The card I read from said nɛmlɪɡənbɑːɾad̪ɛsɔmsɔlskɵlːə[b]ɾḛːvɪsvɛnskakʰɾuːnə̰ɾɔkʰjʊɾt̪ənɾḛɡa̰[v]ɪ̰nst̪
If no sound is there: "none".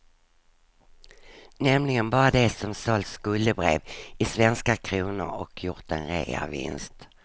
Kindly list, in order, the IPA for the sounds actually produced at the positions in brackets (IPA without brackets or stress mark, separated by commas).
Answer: b, v